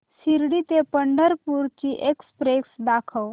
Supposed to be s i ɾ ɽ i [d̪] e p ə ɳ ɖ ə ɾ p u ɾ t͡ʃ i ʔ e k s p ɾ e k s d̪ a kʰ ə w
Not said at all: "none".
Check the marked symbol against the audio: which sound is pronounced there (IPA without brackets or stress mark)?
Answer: t̪